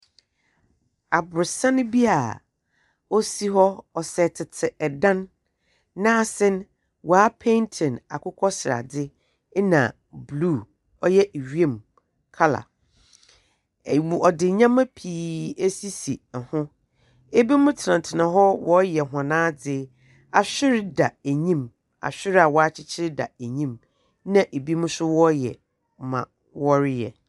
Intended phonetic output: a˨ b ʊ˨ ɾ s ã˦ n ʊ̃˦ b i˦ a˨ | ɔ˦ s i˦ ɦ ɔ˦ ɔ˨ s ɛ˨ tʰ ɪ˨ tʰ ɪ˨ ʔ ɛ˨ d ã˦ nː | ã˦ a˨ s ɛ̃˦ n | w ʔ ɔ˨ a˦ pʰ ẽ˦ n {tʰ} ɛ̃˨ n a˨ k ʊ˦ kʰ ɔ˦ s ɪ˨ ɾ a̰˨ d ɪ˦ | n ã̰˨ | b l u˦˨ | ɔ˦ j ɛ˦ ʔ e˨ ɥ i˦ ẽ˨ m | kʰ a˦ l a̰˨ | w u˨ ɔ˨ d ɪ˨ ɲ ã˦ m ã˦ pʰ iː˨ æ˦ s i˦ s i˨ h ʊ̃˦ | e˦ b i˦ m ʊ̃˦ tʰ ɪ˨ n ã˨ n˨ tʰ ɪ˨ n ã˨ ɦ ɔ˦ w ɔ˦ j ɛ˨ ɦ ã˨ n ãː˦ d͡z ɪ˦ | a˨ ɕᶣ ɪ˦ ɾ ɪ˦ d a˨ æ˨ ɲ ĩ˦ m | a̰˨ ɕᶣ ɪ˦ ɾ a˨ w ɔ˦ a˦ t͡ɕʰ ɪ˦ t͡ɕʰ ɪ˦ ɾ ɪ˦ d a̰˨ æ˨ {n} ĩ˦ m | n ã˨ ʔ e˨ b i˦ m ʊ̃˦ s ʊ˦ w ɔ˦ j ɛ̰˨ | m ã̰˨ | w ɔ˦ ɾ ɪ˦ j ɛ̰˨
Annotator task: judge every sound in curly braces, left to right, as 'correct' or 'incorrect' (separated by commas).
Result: correct, incorrect